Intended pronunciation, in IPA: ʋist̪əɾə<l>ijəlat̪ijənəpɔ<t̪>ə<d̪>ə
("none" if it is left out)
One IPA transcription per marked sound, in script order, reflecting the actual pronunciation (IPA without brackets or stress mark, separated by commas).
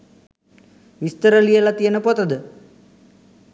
l, t̪, d̪